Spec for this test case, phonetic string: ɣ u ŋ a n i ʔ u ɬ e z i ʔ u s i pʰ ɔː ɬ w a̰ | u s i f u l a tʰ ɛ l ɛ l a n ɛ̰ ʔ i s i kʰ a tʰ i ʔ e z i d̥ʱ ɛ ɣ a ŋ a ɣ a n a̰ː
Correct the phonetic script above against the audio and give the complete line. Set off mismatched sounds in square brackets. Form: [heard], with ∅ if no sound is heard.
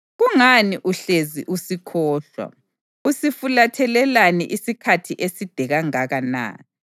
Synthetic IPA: ɣ u ŋ a n i ʔ u ɬ e z i ʔ u s i [kʰ] ɔː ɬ w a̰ | u s i f u l a tʰ ɛ l ɛ l a n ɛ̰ ʔ i s i kʰ a tʰ i ʔ e [s] i d̥ʱ ɛ ɣ a ŋ a ɣ a n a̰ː